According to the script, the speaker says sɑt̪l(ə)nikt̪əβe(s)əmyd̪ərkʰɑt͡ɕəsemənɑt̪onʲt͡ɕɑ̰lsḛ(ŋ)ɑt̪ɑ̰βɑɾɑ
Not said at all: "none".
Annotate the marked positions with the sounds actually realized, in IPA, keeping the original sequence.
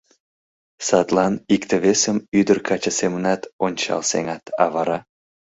ɑ, s, ŋ

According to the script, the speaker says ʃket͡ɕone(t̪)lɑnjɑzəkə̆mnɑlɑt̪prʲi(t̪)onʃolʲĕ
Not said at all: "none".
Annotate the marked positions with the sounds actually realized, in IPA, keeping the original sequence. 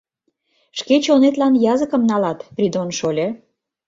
t̪, d̪

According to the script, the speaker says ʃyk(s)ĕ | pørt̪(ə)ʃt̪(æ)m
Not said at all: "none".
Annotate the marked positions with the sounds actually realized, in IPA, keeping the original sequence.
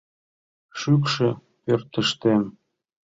ʃ, ə, e

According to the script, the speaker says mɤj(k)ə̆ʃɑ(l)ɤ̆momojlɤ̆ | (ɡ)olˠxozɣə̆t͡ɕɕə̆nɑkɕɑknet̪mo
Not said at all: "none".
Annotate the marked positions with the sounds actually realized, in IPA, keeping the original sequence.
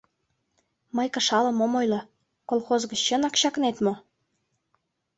k, l, k

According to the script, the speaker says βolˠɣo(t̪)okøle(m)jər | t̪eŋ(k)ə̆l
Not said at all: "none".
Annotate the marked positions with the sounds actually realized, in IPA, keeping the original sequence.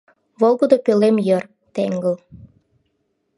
d̪, m, ɡ

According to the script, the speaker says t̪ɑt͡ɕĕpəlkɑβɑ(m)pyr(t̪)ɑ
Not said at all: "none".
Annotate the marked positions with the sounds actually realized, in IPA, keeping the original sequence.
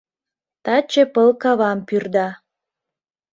m, d̪

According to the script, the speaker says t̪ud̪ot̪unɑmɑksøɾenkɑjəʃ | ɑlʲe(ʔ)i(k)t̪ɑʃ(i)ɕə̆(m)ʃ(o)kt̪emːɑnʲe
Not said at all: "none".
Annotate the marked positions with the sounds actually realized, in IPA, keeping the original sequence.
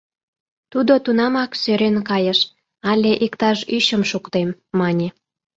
ʔ, k, y, m, u

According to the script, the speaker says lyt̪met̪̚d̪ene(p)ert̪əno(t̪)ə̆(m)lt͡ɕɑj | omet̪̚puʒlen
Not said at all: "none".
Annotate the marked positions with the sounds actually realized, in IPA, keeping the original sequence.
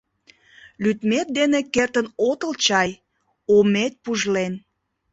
k, t̪, none

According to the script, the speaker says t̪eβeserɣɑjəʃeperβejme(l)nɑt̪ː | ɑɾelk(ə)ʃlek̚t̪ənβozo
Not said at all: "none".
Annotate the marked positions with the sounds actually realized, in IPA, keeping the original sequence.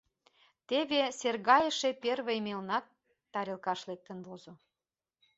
l, ɑ

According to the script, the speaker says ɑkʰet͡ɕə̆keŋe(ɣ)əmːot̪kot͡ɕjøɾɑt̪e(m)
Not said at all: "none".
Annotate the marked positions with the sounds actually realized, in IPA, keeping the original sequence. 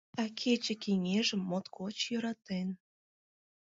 ʒ, n

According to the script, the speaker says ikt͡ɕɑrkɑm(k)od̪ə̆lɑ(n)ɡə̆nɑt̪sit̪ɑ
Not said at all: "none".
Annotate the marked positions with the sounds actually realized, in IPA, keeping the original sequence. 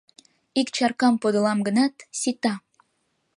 p, m

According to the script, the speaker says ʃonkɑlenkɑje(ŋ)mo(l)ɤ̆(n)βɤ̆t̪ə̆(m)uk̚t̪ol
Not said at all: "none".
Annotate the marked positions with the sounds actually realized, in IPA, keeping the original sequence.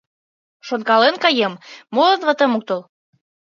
m, l, n, m

